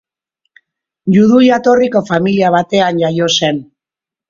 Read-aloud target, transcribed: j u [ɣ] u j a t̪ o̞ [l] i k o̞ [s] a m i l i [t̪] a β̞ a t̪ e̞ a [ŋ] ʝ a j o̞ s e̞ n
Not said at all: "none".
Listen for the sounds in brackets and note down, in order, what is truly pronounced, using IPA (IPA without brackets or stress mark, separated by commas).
ð, r, f, none, n